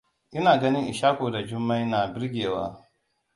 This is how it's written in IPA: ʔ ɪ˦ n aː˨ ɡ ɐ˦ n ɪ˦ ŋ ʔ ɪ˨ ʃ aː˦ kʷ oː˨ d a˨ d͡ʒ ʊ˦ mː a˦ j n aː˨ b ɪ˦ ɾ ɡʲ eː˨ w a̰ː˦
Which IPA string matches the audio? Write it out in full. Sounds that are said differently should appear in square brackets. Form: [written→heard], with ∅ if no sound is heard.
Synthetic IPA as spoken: ʔ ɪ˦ n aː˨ ɡ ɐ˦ n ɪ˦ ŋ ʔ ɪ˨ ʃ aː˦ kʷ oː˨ d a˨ d͡ʒ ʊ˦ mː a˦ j n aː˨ b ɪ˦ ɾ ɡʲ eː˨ w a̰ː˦